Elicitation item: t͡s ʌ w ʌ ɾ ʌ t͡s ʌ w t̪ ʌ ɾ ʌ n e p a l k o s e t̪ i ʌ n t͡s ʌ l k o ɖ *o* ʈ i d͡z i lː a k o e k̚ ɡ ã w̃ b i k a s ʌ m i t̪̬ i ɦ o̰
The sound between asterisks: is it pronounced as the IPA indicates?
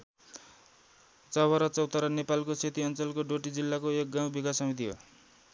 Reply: yes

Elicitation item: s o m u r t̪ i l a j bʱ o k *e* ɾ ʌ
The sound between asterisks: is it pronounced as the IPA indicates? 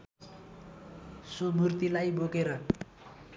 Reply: yes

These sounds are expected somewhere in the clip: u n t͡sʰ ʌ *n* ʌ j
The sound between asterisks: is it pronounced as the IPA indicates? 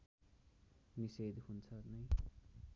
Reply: yes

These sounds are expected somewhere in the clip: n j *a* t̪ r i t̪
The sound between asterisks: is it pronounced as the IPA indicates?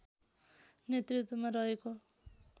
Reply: no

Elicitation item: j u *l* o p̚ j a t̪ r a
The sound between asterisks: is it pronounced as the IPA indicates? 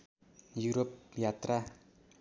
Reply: no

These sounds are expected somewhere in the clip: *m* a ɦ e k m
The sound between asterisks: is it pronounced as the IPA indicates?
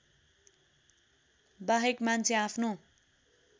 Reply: no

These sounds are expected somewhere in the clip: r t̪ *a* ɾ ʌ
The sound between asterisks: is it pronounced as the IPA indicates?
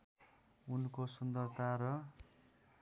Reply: yes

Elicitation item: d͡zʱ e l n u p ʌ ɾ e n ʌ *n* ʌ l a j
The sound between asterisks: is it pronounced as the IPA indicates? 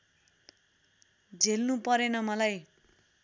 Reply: no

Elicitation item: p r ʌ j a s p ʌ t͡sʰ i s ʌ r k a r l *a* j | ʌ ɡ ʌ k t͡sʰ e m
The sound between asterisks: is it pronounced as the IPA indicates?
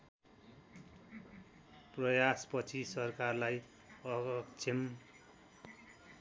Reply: yes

